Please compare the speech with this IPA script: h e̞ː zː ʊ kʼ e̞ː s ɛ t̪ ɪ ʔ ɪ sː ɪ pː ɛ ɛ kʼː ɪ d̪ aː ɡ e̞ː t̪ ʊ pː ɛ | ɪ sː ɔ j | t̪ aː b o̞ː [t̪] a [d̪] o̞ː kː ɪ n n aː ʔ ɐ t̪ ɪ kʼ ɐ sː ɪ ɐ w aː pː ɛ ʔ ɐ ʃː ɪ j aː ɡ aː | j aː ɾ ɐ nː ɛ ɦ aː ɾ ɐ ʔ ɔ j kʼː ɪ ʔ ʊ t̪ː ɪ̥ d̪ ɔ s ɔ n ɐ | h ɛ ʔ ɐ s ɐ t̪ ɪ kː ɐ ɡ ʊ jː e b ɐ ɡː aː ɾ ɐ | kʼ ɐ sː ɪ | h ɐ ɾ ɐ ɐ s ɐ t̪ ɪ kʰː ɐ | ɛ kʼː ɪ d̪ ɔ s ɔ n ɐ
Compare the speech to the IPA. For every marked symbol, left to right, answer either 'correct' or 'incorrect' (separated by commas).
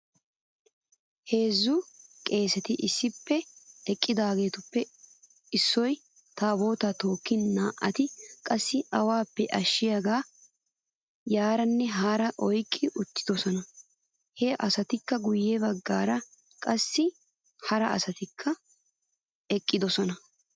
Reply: correct, incorrect